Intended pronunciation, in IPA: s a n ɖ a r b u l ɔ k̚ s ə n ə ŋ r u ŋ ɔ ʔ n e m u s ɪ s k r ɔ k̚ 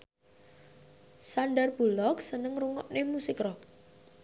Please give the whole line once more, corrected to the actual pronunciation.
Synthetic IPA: s a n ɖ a r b u l ɔ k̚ s ə n ə ŋ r u ŋ ɔ ʔ n e m u s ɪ k r ɔ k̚

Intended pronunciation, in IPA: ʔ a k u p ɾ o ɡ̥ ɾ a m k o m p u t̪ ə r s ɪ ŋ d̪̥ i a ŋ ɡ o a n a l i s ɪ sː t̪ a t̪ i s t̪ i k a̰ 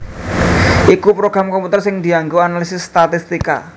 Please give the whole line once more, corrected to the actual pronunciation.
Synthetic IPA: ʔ i k u p ɾ o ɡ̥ ɾ a m k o m p u t̪ ə r s ɪ ŋ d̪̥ i a ŋ ɡ o a n a l i s ɪ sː t̪ a t̪ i s t̪ i k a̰

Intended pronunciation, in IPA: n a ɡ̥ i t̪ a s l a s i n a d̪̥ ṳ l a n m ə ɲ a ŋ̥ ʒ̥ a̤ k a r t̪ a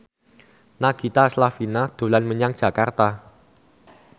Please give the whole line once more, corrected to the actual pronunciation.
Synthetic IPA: n a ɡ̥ i t̪ a s l a f i n a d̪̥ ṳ l a n m ə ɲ a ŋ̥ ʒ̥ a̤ k a r t̪ a

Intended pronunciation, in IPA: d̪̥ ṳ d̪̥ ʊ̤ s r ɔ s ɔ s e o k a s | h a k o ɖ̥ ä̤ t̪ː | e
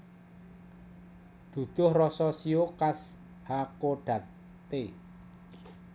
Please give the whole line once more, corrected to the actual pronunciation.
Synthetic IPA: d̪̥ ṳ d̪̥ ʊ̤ h r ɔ s ɔ s i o k a s | h a k o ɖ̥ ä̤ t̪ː | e

